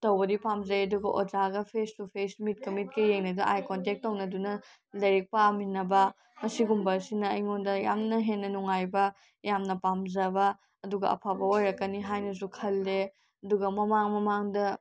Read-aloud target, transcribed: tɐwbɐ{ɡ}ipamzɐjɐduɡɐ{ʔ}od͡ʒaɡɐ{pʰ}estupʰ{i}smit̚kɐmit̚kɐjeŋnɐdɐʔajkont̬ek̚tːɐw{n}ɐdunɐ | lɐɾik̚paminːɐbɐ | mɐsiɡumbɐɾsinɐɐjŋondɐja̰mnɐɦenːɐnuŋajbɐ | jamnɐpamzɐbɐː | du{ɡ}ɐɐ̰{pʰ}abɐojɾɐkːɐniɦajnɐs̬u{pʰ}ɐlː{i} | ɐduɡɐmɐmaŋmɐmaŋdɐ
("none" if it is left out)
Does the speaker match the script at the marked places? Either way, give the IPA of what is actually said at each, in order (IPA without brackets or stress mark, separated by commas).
d, ʔ, pʰ, e, n, ɡ, pʰ, kʰ, e